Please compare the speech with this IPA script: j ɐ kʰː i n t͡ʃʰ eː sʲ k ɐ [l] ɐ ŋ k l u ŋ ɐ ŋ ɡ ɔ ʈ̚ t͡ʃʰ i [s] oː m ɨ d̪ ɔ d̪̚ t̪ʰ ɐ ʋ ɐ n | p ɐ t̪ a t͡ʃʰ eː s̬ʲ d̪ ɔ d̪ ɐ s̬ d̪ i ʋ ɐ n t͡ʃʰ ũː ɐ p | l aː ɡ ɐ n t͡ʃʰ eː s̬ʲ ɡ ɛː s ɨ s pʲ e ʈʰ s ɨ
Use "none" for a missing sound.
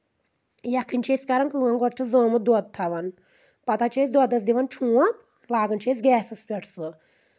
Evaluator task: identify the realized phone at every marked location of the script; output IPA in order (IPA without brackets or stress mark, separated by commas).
ɾ, z